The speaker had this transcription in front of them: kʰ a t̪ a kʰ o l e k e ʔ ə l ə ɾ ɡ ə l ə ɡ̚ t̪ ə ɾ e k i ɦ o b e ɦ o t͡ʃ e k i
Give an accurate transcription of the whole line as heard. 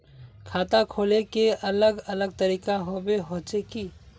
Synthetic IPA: kʰ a t̪ a kʰ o l e k e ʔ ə l ə ɡ ə l ə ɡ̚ t̪ ə ɾ i k a ɦ o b e ɦ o t͡ʃ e k i